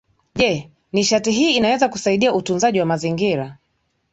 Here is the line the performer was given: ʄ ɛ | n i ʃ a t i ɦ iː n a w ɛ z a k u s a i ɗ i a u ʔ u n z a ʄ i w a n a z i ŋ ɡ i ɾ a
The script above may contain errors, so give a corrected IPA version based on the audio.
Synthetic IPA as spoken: ʄ ɛ | n i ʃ a t i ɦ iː n a w ɛ z a k u s a i ɗ i a u t u n z a ʄ i w a m a z i ŋ ɡ i ɾ a